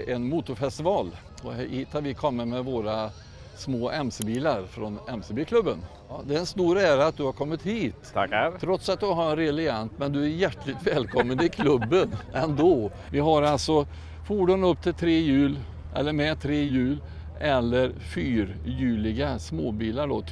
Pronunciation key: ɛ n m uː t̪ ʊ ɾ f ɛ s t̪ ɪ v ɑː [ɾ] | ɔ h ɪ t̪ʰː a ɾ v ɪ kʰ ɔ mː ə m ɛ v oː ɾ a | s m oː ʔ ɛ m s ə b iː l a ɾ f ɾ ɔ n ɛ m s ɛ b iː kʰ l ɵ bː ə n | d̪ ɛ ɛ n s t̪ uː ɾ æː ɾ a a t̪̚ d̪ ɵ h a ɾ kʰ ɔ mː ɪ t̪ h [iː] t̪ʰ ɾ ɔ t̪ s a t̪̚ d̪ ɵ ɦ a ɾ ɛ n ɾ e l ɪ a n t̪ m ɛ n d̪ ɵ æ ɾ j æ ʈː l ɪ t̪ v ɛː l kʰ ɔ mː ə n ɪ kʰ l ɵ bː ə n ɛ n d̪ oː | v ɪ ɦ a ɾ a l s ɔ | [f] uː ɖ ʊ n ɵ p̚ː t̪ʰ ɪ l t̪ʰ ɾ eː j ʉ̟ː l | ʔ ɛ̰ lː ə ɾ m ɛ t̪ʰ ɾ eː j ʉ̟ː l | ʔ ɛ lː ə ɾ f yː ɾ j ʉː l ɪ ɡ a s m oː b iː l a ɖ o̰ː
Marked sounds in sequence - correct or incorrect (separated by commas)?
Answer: incorrect, correct, correct